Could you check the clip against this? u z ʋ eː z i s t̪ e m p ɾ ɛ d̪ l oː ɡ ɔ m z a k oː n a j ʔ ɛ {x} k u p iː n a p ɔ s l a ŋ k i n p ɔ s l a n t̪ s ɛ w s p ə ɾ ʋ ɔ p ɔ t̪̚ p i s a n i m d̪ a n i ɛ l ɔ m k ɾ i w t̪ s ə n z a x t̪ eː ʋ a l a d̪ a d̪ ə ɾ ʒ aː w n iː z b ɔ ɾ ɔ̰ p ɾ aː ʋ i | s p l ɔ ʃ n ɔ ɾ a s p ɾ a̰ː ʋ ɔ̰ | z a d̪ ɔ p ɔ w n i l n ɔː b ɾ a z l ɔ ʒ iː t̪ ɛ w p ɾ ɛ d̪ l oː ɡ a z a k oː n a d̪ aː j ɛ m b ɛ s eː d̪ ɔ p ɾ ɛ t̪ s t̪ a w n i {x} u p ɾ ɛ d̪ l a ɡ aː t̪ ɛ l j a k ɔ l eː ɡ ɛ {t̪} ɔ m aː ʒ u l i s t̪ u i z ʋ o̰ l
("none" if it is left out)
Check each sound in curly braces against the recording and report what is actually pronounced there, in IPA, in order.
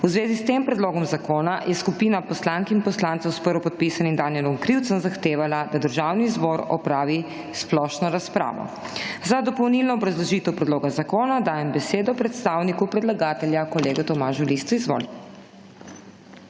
s, k, t̪

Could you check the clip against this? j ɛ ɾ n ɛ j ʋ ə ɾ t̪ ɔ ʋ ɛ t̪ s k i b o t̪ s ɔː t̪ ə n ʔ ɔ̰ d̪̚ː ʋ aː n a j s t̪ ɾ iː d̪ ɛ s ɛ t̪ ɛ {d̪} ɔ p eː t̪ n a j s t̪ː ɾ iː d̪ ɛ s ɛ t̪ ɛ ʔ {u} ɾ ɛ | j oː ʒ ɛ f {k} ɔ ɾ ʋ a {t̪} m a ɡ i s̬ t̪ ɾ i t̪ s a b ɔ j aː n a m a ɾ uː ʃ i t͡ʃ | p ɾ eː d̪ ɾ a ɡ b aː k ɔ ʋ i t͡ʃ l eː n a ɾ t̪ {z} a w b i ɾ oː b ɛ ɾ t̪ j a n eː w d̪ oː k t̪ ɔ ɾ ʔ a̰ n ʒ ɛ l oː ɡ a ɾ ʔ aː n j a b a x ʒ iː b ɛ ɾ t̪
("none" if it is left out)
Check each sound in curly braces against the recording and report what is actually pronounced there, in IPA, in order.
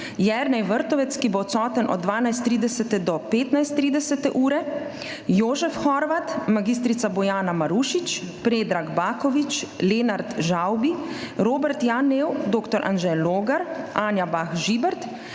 d̪, uː, x, t̪, ʒ

